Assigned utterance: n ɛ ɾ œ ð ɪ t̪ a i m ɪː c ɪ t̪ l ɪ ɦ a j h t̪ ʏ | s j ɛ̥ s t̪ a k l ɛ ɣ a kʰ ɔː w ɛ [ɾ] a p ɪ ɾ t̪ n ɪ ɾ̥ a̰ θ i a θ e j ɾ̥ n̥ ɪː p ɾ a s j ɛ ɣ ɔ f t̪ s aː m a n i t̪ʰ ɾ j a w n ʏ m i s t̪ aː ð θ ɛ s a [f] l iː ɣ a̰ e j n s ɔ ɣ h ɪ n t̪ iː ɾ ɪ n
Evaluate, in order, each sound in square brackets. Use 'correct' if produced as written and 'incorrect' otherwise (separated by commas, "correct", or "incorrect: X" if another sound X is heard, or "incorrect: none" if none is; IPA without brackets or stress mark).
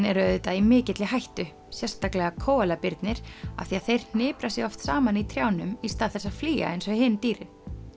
incorrect: l, correct